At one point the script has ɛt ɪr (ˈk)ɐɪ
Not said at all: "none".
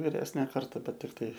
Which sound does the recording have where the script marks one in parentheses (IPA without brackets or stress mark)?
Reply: t